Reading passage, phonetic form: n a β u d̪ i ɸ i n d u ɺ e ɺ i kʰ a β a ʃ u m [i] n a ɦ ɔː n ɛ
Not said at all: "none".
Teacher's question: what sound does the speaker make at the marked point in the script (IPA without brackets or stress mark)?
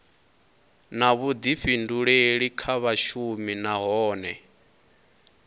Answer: i